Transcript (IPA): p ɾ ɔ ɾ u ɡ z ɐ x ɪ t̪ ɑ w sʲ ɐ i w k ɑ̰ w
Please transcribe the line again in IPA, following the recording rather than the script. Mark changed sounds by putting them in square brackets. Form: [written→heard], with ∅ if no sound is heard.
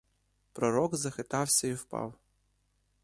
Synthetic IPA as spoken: p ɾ ɔ ɾ [u→ɔ] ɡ z ɐ x ɪ t̪ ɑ w sʲ ɐ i w [k→p] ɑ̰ w